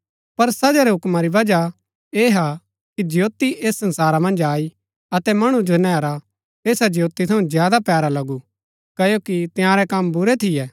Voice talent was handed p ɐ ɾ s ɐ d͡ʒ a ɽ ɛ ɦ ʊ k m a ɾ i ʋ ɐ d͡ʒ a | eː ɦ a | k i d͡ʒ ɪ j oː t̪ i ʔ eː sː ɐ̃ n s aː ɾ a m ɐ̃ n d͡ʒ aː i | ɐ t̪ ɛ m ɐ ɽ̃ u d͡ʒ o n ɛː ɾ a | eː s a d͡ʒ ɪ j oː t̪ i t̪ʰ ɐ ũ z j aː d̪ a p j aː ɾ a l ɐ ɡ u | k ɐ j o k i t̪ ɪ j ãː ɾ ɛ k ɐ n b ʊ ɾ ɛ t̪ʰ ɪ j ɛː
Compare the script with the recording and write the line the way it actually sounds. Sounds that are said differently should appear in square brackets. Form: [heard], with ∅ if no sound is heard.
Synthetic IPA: p ɐ ɾ s ɐ d͡ʒ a [ɾ] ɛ ɦ ʊ k m a ɾ i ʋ ɐ d͡ʒ a | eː ɦ a | k i d͡ʒ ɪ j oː t̪ i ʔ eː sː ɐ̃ n s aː ɾ a m ɐ̃ n d͡ʒ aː i | ɐ t̪ ɛ m ɐ ɽ̃ u d͡ʒ o n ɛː ɾ a | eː s a d͡ʒ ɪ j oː t̪ i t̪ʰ ɐ ũ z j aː d̪ a p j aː ɾ a l ɐ ɡ u | k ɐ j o k i t̪ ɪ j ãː ɾ ɛ k ɐ [m] b ʊ ɾ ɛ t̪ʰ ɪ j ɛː